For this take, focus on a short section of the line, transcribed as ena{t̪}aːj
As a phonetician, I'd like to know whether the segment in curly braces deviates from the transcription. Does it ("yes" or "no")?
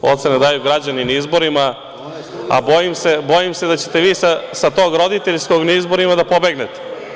yes